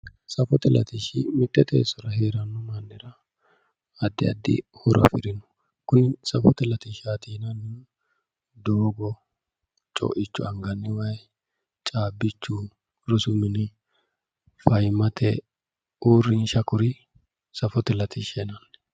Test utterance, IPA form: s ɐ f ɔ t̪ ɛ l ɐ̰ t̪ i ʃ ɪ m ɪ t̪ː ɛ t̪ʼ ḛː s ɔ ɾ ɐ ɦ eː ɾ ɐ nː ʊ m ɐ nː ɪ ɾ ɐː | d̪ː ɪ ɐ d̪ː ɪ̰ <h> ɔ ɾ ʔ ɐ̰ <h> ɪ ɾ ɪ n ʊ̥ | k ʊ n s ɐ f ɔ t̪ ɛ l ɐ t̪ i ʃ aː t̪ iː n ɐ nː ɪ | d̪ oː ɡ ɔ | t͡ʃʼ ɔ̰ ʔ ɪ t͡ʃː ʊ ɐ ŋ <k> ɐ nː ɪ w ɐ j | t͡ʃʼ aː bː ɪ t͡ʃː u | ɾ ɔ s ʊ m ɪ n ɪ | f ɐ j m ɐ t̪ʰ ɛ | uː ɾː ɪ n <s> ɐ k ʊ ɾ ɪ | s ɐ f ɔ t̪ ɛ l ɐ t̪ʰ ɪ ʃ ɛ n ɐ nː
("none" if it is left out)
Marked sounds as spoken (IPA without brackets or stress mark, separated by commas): h, f, ɡ, ʃ